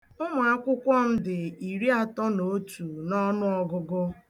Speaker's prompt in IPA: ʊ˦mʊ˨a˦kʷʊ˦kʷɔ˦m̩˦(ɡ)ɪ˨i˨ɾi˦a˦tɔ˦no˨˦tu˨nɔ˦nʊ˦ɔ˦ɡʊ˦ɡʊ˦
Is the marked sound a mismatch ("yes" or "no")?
yes